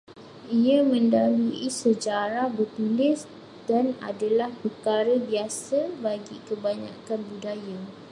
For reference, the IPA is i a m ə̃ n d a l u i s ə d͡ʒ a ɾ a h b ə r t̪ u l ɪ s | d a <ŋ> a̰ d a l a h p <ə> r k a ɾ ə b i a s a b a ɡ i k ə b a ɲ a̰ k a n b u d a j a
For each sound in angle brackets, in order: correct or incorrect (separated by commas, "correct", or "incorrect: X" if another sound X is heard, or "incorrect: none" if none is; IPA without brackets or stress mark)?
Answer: incorrect: n, correct